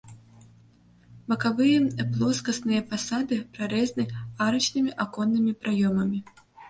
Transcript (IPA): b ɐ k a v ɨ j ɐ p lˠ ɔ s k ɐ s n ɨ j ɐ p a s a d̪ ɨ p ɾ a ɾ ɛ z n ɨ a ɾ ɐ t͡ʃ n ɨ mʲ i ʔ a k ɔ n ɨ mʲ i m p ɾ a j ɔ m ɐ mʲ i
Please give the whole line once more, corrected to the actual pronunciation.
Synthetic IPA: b ɐ k a v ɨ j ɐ p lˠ ɔ s k ɐ s n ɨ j ɐ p a s a d̪ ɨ p ɾ a ɾ ɛ z n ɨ a ɾ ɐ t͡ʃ n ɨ mʲ i ʔ a k ɔ nː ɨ mʲ i p ɾ a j ɔ m ɐ mʲ i